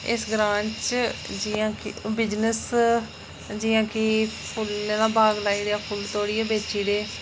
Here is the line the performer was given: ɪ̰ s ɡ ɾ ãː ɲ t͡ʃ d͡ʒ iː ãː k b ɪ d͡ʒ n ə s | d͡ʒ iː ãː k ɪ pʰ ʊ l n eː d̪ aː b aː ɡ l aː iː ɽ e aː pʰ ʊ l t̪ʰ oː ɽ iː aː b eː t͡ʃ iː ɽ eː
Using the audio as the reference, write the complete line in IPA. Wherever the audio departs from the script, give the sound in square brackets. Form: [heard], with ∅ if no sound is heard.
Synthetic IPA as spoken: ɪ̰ s ɡ ɾ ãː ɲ t͡ʃ d͡ʒ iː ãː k b ɪ d͡ʒ n ə s | d͡ʒ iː ãː k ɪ pʰ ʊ l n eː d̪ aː b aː ɡ l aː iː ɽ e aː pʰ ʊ l [t̪] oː ɽ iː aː b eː t͡ʃ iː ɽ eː